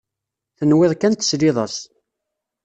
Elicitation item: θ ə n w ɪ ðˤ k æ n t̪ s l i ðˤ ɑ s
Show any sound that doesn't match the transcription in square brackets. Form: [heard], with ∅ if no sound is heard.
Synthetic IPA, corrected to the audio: θ ə n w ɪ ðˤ k æ n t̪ s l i ðˤ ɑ s